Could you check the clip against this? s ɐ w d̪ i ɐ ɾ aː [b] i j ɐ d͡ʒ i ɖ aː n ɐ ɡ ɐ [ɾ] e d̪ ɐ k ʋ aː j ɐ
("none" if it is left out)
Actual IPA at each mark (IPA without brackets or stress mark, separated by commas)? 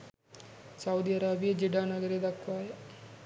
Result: b, ɾ